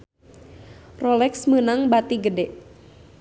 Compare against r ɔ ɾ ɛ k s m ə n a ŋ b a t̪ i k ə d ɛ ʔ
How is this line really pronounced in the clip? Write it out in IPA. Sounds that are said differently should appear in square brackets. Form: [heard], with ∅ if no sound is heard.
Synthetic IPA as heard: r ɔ [l] ɛ k s m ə n a ŋ b a t̪ i [ɡ] ə d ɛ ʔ